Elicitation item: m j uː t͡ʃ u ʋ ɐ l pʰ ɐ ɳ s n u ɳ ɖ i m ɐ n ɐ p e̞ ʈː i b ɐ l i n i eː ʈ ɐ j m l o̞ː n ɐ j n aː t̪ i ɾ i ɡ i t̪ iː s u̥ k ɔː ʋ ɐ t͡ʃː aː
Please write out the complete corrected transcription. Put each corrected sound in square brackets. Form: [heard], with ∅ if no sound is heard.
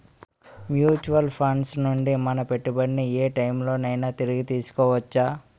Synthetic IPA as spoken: m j uː t͡ʃ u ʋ ɐ l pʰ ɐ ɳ s n u ɳ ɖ i m ɐ n ɐ p e̞ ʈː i b ɐ [ɽ] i n i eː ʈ ɐ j m l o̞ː n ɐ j n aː t̪ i ɾ i ɡ i t̪ iː s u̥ k ɔː ʋ ɐ t͡ʃː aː